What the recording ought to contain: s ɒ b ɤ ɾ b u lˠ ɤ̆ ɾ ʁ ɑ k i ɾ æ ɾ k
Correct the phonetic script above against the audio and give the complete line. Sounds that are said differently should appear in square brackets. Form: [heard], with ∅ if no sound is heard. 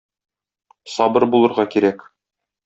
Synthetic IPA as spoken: s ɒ b ɤ ɾ b u lˠ ɤ̆ ɾ ʁ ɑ k i ɾ æ [∅] k